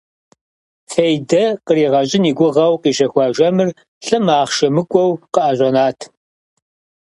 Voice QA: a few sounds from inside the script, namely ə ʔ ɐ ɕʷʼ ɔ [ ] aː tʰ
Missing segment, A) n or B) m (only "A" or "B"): A